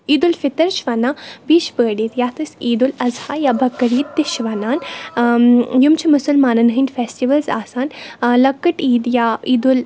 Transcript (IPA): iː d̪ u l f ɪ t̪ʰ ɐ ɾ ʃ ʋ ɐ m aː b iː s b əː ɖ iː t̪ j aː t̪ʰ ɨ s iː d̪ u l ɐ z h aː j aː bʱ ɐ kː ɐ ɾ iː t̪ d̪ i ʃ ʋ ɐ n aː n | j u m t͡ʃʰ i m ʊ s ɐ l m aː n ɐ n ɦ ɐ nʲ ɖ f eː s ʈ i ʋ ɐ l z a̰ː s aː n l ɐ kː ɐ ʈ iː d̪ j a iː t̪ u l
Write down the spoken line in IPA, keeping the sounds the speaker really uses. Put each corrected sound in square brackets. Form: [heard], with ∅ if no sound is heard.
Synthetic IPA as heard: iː d̪ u l f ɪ [t̪] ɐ ɾ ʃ ʋ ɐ [n] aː b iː [ʃ] b əː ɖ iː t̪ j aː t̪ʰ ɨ s iː d̪ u l ɐ z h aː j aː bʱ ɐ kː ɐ ɾ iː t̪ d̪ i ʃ ʋ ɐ n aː n | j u m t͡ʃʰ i m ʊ s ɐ l m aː n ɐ n ɦ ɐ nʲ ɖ f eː s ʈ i ʋ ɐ l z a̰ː s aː n l ɐ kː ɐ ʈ iː d̪ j a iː [d̪] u l